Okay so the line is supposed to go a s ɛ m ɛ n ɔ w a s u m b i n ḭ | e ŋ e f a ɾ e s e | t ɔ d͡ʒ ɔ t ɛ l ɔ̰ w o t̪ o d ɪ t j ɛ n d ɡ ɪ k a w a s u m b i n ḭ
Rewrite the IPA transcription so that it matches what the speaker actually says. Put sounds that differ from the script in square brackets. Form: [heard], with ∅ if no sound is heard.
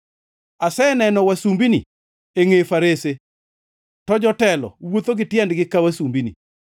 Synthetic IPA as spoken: a s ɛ [n] ɛ n ɔ w a s u m b i n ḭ | e ŋ e f a ɾ e s e | t ɔ d͡ʒ ɔ t ɛ l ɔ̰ w o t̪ o [ɡ] ɪ t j ɛ n d ɡ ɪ k a w a s u m b i n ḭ